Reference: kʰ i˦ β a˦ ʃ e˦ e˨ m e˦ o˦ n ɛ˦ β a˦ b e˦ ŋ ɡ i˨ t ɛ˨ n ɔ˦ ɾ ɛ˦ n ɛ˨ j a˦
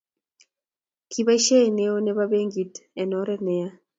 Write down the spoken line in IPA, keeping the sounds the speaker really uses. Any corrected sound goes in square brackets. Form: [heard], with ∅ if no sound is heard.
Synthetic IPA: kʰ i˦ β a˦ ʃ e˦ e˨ [n] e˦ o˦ n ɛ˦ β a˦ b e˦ ŋ ɡ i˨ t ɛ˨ n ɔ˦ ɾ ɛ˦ n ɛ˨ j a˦